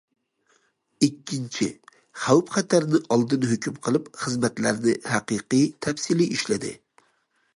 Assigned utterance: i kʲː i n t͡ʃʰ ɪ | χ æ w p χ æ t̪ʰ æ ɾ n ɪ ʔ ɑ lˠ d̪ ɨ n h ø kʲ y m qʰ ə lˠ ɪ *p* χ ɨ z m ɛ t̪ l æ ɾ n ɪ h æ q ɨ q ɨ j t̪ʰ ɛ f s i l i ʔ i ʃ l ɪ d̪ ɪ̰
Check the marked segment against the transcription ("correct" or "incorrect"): correct